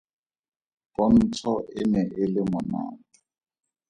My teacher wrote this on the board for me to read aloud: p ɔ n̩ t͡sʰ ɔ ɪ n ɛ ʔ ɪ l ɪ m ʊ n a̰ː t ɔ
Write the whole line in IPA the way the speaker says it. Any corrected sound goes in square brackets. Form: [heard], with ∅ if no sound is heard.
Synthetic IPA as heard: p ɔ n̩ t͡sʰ ɔ ɪ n ɛ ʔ ɪ l ɪ m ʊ n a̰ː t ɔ

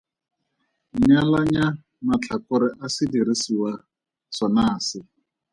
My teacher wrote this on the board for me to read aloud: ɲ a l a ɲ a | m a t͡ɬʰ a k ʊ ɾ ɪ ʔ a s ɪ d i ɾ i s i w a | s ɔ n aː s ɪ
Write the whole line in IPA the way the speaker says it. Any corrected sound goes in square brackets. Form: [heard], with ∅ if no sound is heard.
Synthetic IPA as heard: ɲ a l a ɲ a | m a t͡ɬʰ a k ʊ ɾ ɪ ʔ a s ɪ d i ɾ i s i w a | s ɔ n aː s ɪ

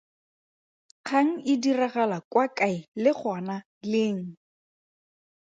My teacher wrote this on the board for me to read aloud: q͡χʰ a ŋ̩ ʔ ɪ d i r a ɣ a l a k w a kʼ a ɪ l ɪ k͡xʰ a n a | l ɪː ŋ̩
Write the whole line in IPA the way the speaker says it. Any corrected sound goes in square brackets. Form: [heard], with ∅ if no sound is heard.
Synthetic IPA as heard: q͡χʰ a ŋ̩ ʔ ɪ d i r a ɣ a l a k w a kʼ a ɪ l ɪ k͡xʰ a n a | l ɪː ŋ̩

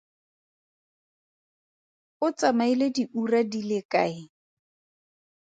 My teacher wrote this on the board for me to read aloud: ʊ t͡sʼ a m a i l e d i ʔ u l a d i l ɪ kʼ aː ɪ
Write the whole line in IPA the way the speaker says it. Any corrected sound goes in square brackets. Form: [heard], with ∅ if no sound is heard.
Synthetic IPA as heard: ʊ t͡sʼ a m a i l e d i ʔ u [r] a d i l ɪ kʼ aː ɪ

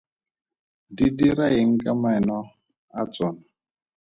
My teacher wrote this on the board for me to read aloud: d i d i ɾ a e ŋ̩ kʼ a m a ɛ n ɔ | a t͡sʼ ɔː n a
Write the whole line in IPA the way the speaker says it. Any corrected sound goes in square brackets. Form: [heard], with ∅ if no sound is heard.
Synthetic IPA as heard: d i d i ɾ a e ŋ̩ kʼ a m a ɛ n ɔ | a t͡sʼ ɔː n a

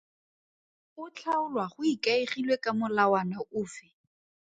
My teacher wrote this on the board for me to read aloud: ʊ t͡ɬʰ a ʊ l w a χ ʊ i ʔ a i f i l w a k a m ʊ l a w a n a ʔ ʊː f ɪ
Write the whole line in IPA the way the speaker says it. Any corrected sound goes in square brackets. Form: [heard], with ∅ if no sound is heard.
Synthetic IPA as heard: ʊ t͡ɬʰ a ʊ l w a χ ʊ i [k] a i [χ] i l w [e] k a m ʊ l a w a n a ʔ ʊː f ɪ

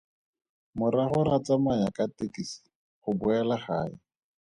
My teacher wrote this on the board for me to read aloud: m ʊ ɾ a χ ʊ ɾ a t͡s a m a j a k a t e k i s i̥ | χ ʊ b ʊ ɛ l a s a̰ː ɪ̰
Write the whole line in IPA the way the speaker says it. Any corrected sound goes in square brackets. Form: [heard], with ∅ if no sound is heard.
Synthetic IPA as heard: m ʊ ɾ a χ ʊ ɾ a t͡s a m a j a k a t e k i s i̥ | χ ʊ b ʊ ɛ l a [χ] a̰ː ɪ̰

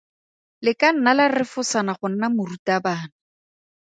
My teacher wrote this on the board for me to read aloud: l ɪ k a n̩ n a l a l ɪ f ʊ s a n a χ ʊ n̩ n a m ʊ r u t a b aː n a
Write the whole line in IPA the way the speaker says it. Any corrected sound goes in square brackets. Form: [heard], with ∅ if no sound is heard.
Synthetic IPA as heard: l ɪ k a n̩ n a l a [r] ɪ f ʊ s a n a χ ʊ n̩ n a m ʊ r u t a b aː n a

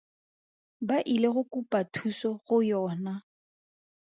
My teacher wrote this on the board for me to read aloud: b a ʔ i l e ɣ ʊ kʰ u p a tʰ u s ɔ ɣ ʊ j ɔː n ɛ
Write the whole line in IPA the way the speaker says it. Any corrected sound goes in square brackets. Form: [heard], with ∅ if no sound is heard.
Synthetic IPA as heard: b a ʔ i l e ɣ ʊ [k] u p a tʰ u s ɔ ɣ ʊ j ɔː n [a]

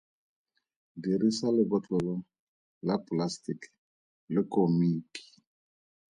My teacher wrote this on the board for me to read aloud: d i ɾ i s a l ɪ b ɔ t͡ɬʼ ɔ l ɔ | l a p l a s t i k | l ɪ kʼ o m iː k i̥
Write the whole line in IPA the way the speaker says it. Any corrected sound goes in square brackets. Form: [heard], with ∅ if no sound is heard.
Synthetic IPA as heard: d i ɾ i s a l ɪ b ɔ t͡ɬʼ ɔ l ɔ | l a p l a s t i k | l ɪ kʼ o m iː k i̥

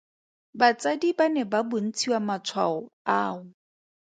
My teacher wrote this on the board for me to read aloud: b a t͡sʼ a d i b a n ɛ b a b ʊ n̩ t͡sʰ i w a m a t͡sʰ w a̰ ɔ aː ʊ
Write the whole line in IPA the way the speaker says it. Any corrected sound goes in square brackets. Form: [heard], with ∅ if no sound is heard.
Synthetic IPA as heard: b a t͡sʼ a d i b a n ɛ b a b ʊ n̩ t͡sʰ i w a m a t͡sʰ w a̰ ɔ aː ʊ

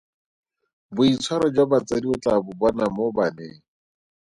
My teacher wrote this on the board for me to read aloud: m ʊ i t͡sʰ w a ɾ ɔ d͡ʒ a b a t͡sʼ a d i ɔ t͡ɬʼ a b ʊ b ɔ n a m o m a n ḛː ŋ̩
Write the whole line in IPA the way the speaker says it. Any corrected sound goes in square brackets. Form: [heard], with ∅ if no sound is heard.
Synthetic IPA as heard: [b] ʊ i t͡sʰ w a ɾ ɔ d͡ʒ a b a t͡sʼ a d i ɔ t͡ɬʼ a b ʊ b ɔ n a m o [b] a n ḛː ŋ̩

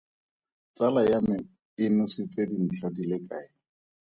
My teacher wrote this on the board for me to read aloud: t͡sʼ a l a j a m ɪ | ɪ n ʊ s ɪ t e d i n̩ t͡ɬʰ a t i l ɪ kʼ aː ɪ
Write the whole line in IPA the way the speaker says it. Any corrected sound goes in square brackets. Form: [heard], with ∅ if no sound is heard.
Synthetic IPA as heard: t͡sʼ a l a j a m ɪ | ɪ n ʊ s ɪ [t͡s] e d i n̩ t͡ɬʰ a [d] i l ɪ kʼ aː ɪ

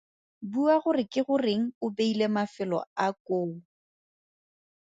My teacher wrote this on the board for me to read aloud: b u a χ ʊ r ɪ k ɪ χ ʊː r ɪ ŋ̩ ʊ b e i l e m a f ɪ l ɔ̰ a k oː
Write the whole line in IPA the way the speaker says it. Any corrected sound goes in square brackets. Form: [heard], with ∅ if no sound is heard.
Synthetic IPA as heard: b u a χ ʊ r ɪ k ɪ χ [ʊ] r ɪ ŋ̩ ʊ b e i l e m a f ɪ l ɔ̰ a k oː

